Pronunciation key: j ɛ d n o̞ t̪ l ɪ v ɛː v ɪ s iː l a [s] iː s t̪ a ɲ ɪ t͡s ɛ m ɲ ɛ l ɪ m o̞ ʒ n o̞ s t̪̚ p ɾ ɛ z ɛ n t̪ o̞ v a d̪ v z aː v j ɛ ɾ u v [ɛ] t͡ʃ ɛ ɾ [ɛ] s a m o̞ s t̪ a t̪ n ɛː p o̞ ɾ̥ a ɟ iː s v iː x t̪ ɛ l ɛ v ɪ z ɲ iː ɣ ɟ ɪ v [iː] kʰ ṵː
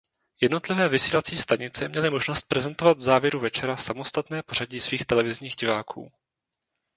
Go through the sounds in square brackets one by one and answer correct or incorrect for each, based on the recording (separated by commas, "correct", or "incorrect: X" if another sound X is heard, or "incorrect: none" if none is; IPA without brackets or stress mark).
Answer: incorrect: t͡s, correct, incorrect: a, incorrect: aː